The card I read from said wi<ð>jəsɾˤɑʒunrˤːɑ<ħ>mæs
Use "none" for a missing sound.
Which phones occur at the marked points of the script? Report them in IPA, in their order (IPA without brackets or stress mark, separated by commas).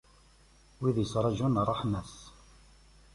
ð, ħ